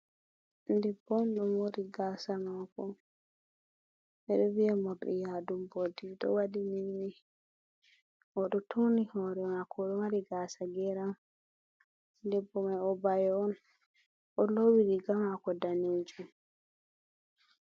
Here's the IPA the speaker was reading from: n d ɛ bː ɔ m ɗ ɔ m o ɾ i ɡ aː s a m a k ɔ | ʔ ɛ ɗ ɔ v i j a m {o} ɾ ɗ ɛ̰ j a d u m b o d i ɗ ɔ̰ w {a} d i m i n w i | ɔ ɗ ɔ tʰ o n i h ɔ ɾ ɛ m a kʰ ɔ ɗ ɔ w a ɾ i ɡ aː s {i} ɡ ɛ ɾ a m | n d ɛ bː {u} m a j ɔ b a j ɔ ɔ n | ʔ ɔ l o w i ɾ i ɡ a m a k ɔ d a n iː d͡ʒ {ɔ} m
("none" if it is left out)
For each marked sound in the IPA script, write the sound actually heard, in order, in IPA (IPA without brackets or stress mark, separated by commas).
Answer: ɔ, a, a, ɔ, u